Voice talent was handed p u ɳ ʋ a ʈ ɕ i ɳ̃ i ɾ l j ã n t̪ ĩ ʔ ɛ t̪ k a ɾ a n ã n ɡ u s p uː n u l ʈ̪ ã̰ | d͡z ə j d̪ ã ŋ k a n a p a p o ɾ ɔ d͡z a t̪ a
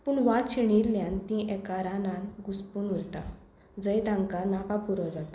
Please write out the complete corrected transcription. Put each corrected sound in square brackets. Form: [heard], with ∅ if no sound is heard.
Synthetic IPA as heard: p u ɳ ʋ a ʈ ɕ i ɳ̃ i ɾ l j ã n t̪ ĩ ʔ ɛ [∅] k a ɾ a n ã n ɡ u s p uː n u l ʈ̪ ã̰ | d͡z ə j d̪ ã ŋ k a n a [k] a p [u] ɾ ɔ d͡z a t̪ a